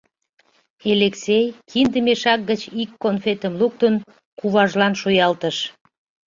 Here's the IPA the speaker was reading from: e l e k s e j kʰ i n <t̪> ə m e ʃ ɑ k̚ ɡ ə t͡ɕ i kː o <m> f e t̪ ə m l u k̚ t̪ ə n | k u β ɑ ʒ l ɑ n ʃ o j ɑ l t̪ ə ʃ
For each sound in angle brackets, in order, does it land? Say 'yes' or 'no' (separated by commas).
no, no